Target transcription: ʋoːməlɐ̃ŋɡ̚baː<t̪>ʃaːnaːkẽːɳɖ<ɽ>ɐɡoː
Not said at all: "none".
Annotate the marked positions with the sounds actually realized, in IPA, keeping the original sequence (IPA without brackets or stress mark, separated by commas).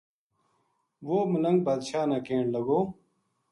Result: d̪, l